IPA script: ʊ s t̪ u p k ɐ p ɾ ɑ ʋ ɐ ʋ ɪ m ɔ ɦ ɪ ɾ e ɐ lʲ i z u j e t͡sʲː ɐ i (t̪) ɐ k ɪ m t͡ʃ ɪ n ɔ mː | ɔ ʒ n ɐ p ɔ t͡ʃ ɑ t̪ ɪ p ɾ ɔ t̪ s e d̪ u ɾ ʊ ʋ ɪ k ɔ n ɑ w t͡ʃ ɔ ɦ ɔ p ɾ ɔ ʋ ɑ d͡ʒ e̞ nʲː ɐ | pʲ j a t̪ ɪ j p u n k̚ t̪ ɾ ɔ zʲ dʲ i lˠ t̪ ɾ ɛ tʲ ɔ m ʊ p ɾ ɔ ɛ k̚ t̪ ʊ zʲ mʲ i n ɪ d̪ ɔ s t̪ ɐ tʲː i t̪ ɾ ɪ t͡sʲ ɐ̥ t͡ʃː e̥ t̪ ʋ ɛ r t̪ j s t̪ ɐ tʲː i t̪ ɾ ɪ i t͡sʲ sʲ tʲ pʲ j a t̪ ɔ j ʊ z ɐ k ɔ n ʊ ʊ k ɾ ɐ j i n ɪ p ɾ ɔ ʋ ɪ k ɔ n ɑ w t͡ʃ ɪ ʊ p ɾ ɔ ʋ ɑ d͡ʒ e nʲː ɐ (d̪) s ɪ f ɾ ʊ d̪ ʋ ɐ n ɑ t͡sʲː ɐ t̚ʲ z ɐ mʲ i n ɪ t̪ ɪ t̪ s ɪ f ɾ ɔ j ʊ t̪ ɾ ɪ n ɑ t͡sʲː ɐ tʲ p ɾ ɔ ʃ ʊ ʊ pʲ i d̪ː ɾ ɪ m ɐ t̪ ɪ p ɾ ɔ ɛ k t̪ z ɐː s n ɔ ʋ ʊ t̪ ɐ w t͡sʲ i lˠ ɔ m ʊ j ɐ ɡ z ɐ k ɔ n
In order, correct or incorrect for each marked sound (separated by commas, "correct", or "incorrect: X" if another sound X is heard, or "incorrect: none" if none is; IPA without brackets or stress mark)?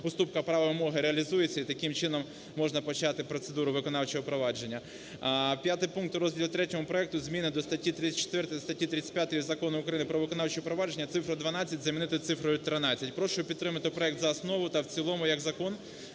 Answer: correct, incorrect: t̪